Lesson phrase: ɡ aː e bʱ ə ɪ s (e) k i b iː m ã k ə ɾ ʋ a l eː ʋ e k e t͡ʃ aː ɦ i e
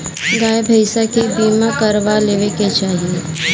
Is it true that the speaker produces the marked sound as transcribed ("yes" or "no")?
no